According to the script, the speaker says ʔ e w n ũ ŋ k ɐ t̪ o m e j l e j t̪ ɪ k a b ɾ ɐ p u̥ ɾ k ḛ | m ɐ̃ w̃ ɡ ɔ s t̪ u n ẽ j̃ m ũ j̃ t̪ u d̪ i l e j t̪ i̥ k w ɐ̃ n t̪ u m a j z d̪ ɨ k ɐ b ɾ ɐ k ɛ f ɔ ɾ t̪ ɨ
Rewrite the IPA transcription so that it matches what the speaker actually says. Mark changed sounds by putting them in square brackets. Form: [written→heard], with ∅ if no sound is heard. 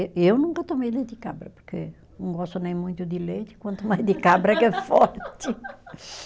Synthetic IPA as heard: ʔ e w n ũ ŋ k ɐ t̪ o m e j l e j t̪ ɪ k a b ɾ ɐ p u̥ ɾ k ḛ | [m→n] ɐ̃ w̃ ɡ ɔ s t̪ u n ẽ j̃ m ũ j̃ t̪ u d̪ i l e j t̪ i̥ k w ɐ̃ n t̪ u m a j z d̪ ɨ k [ɐ→a] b ɾ ɐ k ɛ f ɔ ɾ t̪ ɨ